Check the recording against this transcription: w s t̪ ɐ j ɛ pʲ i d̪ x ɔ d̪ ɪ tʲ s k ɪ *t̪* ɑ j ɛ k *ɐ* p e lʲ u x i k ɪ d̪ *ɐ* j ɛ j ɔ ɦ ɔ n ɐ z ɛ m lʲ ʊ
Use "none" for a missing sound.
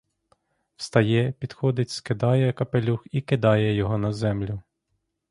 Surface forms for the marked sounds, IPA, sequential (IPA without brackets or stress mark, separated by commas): d̪, ɐ, ɑ